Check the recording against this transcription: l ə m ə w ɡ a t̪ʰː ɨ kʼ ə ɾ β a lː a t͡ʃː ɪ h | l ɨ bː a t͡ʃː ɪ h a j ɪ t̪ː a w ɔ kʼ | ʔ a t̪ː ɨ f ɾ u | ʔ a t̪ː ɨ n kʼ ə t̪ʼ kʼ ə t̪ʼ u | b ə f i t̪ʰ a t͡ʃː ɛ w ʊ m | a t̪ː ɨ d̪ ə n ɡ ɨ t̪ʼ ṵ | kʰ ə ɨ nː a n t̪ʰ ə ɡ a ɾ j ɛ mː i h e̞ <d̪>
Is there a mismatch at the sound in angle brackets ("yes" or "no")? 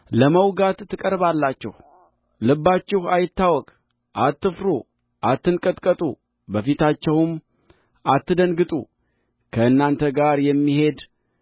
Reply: no